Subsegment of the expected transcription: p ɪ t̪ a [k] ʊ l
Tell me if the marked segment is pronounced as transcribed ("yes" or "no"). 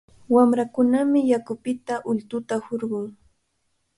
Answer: no